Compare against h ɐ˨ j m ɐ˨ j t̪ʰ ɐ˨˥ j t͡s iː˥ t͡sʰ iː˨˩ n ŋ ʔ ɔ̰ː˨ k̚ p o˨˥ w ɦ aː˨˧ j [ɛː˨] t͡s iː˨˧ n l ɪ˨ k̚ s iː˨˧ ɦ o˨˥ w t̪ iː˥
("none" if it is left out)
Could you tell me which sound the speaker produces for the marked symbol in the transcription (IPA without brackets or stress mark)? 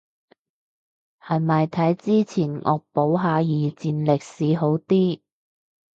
iː˨